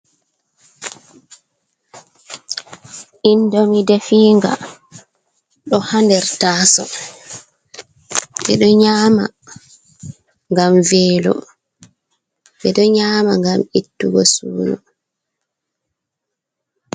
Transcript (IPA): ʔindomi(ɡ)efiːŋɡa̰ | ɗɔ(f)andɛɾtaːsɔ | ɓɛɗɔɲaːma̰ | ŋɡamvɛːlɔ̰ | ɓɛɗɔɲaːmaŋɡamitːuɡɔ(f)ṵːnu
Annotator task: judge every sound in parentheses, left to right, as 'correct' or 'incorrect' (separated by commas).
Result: incorrect, incorrect, incorrect